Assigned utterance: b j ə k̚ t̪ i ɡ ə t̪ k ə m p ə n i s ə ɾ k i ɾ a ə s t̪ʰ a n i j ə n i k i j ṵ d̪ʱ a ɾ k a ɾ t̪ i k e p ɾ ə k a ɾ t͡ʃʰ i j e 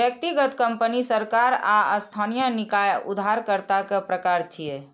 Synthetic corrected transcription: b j ə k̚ t̪ i ɡ ə t̪ k ə m p ə n i s ə ɾ k a ɾ a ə s t̪ʰ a n i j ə n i k a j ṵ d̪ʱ a ɾ k ə ɾ t̪ a k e p ɾ ə k a ɾ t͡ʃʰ i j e